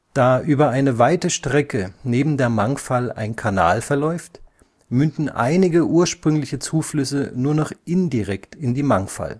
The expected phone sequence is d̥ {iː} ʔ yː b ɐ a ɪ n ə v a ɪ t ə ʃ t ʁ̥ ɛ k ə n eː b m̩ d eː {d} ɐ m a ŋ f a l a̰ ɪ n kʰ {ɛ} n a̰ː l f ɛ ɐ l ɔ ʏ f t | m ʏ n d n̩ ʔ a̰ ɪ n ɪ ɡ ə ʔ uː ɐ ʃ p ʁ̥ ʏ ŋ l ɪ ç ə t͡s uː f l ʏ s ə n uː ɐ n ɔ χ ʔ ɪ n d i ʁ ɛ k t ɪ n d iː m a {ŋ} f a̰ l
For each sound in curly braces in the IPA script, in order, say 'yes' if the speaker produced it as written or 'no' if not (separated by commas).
no, no, no, yes